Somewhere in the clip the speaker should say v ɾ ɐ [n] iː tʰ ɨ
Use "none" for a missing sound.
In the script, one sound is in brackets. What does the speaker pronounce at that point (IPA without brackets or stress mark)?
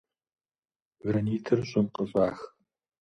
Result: n